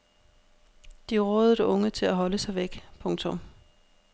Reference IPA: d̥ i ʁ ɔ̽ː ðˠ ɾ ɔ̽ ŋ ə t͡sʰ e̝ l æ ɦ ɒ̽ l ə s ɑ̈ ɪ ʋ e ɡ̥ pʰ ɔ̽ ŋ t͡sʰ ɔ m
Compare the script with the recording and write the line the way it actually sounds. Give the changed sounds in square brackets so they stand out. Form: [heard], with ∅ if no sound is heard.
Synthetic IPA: d̥ i ʁ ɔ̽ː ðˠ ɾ ɔ̽ ŋ ə t͡sʰ e̝ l æ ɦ ɒ̽ l ə s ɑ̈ ɪ ʋ e ɡ̥ pʰ ɔ̽ ŋ t͡sʰ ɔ m